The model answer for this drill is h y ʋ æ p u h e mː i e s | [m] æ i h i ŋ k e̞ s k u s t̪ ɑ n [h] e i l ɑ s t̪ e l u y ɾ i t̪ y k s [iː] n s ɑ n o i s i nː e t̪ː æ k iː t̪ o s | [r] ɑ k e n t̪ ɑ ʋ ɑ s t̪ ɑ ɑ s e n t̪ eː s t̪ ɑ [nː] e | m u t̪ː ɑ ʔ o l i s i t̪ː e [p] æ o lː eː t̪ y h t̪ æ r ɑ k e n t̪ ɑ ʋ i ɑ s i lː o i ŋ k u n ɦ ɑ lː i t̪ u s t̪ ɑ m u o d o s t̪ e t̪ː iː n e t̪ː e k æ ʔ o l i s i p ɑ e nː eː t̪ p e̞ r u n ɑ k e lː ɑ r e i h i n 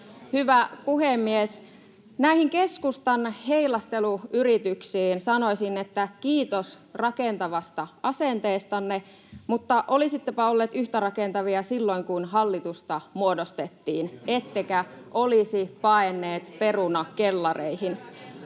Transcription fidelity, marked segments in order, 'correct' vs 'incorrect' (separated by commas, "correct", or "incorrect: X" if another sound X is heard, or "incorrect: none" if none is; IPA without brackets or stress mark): incorrect: n, correct, correct, correct, correct, correct